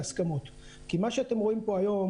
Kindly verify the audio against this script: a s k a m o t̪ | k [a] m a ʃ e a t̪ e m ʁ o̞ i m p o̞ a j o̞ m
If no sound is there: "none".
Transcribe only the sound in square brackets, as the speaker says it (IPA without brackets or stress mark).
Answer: i